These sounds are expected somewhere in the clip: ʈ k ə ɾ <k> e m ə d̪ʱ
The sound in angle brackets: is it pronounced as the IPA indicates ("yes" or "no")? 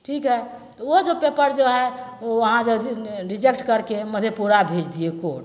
yes